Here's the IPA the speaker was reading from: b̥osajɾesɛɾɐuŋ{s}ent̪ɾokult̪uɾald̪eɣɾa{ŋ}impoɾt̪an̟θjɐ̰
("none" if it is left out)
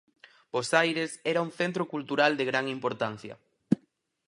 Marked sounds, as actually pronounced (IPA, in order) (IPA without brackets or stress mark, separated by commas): θ, ŋ